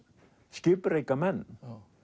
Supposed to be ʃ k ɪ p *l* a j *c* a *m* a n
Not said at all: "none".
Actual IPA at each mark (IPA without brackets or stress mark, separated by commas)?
ɾ, k, m